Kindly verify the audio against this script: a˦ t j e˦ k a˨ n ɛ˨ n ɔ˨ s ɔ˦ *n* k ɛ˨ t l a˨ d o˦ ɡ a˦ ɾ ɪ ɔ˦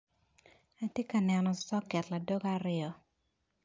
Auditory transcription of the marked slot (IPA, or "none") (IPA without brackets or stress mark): none